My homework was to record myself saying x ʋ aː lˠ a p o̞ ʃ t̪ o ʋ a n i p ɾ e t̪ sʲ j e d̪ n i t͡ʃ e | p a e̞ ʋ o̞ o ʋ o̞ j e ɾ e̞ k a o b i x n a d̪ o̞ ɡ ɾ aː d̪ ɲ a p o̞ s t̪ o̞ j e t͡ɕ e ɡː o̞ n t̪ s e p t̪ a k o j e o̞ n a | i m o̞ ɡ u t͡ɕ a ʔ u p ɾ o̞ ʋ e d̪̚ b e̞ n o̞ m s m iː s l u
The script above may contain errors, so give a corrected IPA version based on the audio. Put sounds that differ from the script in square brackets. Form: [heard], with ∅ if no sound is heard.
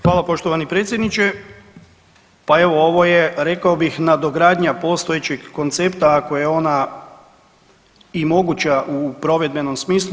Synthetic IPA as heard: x ʋ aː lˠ a p o̞ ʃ t̪ o ʋ a n i p ɾ e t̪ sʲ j e d̪ n i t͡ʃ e | p a e̞ ʋ o̞ o ʋ o̞ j e ɾ e̞ k a o b i x n a d̪ o̞ ɡ ɾ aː d̪ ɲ a p o̞ s t̪ o̞ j e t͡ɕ e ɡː o̞ n t̪ s e p t̪ a k o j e o̞ n a | i m o̞ ɡ u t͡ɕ a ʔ u p ɾ o̞ ʋ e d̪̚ b e̞ n o̞ m s m iː s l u